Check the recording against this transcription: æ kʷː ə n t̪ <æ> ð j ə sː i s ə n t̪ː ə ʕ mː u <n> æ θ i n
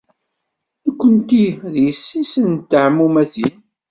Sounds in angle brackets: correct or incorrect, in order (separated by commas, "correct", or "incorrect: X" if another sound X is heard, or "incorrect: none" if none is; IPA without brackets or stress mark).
incorrect: i, incorrect: m